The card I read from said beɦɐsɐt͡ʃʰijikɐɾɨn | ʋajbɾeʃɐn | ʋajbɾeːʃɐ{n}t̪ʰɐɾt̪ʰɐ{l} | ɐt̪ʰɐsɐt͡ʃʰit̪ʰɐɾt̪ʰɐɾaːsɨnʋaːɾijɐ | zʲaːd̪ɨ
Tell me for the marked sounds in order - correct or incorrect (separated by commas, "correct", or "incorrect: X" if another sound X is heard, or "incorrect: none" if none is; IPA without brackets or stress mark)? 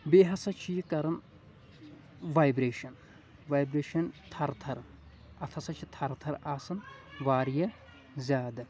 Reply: correct, incorrect: ɾ